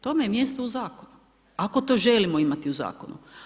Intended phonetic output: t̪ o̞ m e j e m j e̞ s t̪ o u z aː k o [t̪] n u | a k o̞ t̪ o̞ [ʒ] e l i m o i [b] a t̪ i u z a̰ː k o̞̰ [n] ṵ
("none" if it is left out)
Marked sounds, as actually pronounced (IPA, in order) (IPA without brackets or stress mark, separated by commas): none, ʒ, m, n